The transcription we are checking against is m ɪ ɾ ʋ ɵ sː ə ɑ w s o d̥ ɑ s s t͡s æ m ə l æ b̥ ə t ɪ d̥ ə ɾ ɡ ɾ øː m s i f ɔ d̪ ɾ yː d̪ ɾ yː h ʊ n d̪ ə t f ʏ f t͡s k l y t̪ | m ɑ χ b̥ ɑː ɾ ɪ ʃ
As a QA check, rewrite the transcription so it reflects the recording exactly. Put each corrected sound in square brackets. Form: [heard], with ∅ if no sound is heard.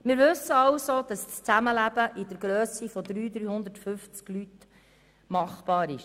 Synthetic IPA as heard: m ɪ ɾ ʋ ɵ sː ə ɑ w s o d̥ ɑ s s t͡s æ m ə l æ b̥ ə [ʔ] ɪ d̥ ə ɾ ɡ ɾ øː [∅] s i f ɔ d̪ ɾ yː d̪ ɾ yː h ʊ n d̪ ə t f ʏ f t͡s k l y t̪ | m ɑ χ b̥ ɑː ɾ ɪ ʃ